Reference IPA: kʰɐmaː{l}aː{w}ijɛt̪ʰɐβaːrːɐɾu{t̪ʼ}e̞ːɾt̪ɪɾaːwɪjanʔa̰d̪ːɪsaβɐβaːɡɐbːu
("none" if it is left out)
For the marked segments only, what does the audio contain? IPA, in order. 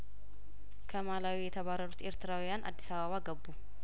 l, w, t̪

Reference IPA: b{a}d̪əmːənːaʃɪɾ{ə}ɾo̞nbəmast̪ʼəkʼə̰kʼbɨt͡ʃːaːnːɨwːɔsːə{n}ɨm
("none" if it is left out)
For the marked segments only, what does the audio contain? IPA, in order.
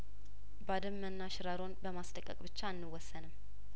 a, a, n

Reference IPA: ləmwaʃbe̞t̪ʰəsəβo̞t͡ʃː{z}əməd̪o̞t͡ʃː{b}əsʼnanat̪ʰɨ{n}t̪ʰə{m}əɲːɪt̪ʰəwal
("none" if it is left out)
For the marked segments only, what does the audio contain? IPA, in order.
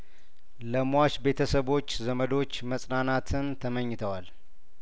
z, m, n, m

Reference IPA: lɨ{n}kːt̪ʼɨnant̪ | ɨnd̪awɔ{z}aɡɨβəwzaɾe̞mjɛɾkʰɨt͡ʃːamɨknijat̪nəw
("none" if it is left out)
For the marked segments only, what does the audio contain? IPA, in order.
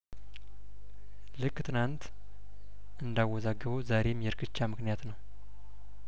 none, z

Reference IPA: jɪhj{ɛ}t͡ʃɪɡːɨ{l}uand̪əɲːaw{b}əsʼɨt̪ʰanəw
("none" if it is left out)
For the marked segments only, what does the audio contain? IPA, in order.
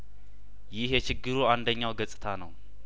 ɛ, ɾ, ɡ

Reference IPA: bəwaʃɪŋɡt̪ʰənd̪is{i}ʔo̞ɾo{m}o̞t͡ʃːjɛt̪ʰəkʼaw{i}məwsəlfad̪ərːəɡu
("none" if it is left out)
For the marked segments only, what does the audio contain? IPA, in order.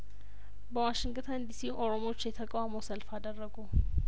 i, m, a

